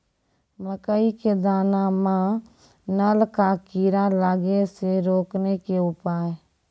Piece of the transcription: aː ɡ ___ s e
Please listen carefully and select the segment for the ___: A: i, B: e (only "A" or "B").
B